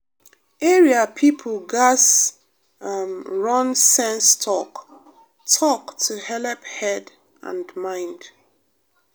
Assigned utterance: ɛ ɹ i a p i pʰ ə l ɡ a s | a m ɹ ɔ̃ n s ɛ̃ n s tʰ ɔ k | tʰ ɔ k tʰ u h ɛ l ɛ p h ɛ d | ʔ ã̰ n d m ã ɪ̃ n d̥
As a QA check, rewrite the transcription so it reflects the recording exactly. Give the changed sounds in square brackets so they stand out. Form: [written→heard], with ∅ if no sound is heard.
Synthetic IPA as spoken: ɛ ɹ i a [p→pʰ] i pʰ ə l ɡ a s | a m ɹ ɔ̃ n s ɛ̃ n s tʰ ɔ k | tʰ ɔ k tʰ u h ɛ l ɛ p h ɛ d | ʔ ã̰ n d m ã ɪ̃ n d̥

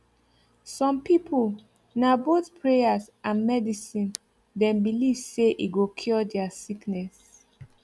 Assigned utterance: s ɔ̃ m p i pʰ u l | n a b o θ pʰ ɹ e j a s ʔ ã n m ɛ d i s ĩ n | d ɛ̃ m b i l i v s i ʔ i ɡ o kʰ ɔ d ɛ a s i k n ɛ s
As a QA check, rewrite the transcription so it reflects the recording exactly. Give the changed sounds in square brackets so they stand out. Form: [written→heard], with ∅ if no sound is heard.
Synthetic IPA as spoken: s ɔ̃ m p i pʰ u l | n a b o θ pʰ ɹ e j a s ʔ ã n m ɛ d i s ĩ n | d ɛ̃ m b i l i v s [i→e] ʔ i ɡ o kʰ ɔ d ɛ a s i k n ɛ s

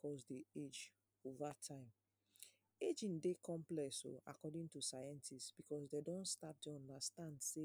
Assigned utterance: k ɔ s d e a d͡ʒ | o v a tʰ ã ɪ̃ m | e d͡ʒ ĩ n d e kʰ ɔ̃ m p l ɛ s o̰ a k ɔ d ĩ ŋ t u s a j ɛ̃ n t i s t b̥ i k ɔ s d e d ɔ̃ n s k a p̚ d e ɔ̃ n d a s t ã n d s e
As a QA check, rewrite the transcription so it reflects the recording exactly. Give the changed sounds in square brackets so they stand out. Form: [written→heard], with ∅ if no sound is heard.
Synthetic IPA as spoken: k ɔ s d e [a→e] d͡ʒ | o v a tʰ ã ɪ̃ m | e d͡ʒ ĩ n d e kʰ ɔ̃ m p l ɛ s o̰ a k ɔ d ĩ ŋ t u s a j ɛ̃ n t i s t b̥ i k ɔ s d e d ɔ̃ n s [k→t] a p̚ d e ɔ̃ n d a s t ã n d s e

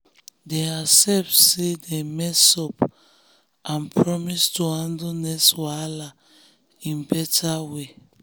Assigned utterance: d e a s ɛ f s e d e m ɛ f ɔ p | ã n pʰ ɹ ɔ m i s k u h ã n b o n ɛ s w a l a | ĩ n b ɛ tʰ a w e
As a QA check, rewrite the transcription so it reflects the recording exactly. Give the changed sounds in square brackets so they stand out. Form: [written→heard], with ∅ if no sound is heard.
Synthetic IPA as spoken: d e a s ɛ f s e d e m ɛ [f→s] ɔ p | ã n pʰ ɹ ɔ m i s [k→t] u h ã n [b→d] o n ɛ s w a l a | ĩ n b ɛ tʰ a w e

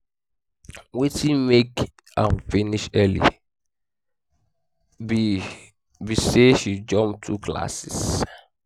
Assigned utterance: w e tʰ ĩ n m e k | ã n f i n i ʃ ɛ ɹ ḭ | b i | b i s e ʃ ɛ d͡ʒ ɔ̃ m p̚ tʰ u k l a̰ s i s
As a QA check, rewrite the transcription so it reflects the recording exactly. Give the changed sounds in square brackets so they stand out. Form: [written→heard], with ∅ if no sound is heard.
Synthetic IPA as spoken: w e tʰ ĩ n m e k | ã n f i n i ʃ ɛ [ɹ→l] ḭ | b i | b i s e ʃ [ɛ→i] d͡ʒ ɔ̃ m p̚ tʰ u k l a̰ s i s

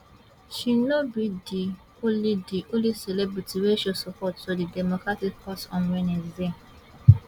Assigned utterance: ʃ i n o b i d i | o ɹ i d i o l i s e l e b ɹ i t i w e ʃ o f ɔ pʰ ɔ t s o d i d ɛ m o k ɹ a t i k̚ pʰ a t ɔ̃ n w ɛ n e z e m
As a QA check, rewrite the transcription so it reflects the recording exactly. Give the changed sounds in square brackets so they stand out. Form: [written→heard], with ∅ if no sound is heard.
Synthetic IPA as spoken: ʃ i n o b i d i | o [ɹ→l] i d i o l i s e l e b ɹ i t i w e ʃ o [f→s] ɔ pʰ ɔ t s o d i d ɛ m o k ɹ a t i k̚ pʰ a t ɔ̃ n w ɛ n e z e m

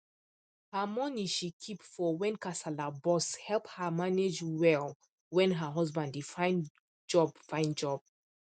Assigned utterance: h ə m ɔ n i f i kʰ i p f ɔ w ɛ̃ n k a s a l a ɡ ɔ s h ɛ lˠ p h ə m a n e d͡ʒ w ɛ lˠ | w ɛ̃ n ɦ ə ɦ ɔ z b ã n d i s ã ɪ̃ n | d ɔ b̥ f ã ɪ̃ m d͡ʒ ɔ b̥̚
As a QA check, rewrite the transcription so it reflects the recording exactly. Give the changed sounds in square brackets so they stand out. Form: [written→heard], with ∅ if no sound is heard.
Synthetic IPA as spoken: h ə m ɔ n i [f→ʃ] i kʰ i p f ɔ w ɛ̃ n k a s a l a [ɡ→b] ɔ s h ɛ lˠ p h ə m a n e d͡ʒ w ɛ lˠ | w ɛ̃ n ɦ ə ɦ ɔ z b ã n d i [s→f] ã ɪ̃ n | [d→d͡ʒ] ɔ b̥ f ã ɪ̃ [m→n] d͡ʒ ɔ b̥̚

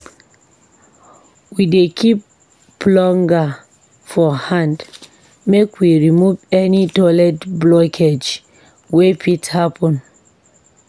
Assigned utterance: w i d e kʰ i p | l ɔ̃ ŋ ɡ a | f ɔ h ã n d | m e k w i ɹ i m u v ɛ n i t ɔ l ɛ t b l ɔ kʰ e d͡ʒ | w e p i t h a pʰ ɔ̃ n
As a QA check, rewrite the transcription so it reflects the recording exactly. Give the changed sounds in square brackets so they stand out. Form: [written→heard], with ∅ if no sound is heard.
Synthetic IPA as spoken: w i d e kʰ i p | l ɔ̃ ŋ ɡ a | f ɔ h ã n d | m e k w i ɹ i m u v ɛ n i t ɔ l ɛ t b l ɔ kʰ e d͡ʒ | w e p i t h a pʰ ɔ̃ n

